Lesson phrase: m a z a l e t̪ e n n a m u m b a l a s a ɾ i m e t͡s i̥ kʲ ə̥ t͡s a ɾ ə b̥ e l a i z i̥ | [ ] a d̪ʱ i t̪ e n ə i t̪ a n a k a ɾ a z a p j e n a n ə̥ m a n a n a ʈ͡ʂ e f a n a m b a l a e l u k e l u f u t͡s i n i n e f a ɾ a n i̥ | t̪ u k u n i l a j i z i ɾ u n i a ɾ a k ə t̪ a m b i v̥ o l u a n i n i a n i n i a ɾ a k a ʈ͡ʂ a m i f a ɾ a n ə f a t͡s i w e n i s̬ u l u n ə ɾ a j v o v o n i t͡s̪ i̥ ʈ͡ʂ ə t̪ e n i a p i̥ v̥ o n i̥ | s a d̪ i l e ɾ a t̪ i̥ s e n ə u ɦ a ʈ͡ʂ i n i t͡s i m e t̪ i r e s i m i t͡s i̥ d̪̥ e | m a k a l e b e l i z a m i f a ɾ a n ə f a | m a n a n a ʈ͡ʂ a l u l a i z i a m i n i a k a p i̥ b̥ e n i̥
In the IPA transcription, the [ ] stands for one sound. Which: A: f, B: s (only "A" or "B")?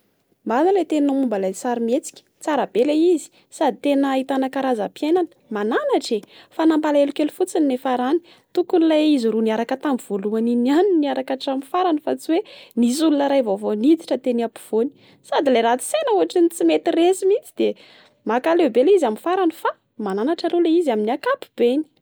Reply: B